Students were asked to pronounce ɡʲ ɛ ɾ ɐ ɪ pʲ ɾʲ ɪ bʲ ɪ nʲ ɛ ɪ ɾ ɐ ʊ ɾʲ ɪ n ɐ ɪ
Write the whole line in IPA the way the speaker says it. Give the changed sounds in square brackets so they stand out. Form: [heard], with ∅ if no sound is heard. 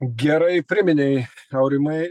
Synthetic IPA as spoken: ɡʲ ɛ ɾ ɐ ɪ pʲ ɾʲ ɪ [mʲ] ɪ nʲ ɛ ɪ [∅] ɐ ʊ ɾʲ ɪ [m] ɐ ɪ